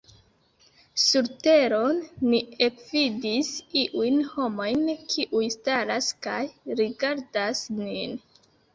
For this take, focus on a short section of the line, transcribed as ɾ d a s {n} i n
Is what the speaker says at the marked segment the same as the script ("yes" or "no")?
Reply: yes